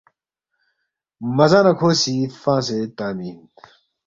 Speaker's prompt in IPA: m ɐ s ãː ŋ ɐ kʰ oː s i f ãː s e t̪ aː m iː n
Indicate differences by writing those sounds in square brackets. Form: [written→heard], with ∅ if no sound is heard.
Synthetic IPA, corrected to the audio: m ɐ [s→z] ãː [ŋ→n] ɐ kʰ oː s i f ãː s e t̪ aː m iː n